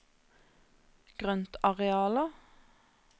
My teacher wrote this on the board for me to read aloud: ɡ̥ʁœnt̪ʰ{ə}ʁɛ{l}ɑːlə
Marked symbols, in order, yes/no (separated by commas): no, no